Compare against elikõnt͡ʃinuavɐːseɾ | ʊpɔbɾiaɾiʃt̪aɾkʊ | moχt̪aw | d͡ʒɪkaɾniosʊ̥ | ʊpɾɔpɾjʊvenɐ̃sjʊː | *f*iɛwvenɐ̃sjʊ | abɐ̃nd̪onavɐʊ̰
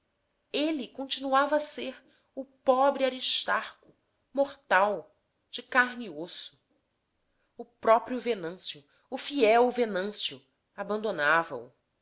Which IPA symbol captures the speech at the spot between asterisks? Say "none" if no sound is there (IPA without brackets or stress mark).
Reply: f